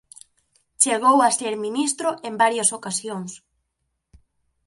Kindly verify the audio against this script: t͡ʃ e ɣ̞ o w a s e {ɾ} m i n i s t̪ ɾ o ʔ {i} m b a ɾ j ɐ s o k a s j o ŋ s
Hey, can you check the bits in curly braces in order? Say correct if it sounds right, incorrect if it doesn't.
correct, incorrect

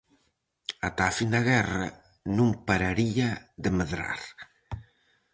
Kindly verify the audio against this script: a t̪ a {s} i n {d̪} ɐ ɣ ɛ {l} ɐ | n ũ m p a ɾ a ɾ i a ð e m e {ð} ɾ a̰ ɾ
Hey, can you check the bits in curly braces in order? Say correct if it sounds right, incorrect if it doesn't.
incorrect, correct, incorrect, correct

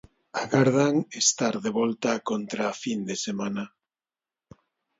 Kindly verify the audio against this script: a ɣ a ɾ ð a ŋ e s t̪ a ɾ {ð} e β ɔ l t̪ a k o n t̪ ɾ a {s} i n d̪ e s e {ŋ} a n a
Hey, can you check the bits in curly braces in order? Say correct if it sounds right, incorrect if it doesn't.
correct, incorrect, incorrect

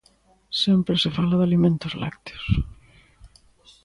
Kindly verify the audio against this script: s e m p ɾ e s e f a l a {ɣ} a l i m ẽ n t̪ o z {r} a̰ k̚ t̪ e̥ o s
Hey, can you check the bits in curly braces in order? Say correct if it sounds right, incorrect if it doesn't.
incorrect, incorrect

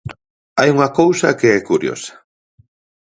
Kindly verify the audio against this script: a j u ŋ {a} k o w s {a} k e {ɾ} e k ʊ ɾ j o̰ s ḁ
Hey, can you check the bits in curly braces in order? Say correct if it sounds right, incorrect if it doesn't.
correct, correct, incorrect

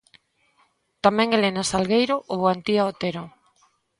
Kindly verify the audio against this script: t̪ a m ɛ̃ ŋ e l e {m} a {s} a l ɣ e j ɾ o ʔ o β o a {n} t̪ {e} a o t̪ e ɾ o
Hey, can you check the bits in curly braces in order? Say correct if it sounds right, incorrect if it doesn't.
incorrect, correct, correct, incorrect

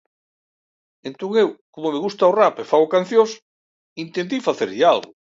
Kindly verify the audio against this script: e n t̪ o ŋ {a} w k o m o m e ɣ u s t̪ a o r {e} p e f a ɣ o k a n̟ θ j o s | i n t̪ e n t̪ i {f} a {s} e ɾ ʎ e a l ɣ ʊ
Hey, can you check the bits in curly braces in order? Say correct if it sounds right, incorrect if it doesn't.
incorrect, incorrect, correct, incorrect

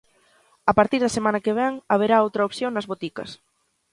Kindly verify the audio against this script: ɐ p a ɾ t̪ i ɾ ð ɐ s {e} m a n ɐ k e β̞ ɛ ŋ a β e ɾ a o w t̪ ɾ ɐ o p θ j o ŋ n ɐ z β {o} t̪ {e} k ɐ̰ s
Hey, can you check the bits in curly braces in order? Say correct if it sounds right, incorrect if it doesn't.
correct, correct, incorrect

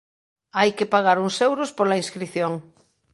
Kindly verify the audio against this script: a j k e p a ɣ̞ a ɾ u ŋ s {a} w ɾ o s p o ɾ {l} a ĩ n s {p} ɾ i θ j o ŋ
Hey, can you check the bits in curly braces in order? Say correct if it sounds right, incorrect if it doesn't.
incorrect, correct, incorrect

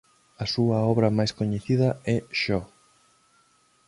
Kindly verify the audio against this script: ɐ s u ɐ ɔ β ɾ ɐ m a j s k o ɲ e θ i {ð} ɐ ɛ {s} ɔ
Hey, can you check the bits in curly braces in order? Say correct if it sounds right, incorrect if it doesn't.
correct, incorrect

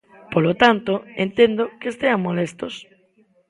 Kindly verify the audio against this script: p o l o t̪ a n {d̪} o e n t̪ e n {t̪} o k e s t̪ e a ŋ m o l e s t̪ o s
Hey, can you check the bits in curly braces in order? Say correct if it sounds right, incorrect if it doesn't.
incorrect, incorrect

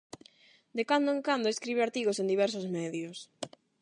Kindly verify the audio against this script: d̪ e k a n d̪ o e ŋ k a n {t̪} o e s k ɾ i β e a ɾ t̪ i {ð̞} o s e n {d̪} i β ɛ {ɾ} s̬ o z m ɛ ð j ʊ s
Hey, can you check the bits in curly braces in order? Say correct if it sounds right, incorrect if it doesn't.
incorrect, incorrect, correct, correct

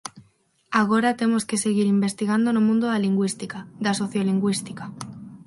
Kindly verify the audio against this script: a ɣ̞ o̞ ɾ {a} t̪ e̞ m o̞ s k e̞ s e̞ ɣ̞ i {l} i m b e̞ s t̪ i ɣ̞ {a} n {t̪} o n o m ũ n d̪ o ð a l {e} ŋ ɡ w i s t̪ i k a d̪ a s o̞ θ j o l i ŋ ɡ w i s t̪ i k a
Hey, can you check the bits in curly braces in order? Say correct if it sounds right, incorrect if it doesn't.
correct, incorrect, correct, incorrect, incorrect

